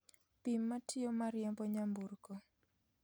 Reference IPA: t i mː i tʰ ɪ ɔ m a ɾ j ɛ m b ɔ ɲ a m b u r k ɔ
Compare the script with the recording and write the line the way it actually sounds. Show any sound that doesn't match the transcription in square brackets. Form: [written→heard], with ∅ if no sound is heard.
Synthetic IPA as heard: [t→p] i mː [i→a] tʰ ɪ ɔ m a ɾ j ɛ m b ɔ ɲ a m b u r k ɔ

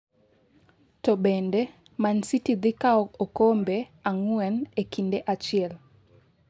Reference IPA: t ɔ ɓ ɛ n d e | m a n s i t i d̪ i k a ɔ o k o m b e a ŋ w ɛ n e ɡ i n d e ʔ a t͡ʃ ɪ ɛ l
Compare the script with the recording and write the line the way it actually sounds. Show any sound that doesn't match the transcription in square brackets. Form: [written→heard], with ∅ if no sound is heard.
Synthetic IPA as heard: t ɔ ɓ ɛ n d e | m a n s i t i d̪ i k a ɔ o k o m b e a ŋ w ɛ n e [ɡ→k] i n d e ʔ a t͡ʃ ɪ ɛ l

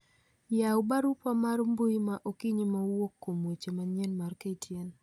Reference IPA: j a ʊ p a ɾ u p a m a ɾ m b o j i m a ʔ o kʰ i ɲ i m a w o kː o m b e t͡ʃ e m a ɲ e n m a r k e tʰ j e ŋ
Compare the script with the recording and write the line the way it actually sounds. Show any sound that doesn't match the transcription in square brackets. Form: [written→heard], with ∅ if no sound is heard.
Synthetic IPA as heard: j a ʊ [p→b] a ɾ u p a m a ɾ m b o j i m a ʔ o [kʰ→k] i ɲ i m a w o kː o m [b→w] e t͡ʃ e m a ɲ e n m a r k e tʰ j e [ŋ→n]

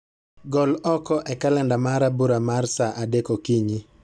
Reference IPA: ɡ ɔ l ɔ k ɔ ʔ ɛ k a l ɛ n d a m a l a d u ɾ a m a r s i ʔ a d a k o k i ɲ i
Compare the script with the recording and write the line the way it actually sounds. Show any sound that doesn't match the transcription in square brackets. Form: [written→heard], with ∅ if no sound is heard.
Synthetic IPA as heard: ɡ ɔ l ɔ k ɔ ʔ ɛ k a l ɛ n d a m a [l→ɾ] a [d→b] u ɾ a m a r s [i→a] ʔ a d [a→e] k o k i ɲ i

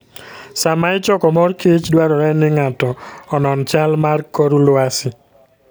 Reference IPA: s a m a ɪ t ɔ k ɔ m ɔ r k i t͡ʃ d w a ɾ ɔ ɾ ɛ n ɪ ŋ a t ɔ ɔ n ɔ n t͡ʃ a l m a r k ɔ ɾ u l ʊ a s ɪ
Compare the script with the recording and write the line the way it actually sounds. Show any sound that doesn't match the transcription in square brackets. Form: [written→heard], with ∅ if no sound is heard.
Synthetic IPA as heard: s a m a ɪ [t→t͡ʃ] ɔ k ɔ m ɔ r k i t͡ʃ d w a ɾ ɔ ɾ ɛ n ɪ ŋ a t ɔ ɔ n ɔ n t͡ʃ a l m a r k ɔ ɾ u l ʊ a s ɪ

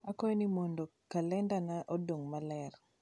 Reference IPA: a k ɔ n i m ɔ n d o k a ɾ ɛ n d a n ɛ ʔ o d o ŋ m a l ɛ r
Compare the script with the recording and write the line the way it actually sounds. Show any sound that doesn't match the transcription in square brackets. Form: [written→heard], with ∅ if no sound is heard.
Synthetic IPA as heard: a k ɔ n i m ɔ n d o k a [ɾ→l] ɛ n d a n [ɛ→a] ʔ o d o ŋ m a l ɛ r

